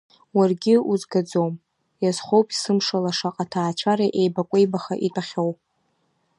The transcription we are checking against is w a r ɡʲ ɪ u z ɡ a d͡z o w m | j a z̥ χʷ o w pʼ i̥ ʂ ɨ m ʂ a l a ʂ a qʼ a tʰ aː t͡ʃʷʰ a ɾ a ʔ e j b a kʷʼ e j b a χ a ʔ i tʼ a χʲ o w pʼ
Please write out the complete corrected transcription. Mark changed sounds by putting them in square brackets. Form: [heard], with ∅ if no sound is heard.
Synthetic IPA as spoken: w a r ɡʲ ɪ u z ɡ a d͡z o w m | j a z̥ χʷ o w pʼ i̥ [s] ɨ m ʂ a l a ʂ a qʼ a tʰ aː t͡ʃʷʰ a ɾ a ʔ e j b a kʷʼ e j b a χ a ʔ i tʼ a χʲ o w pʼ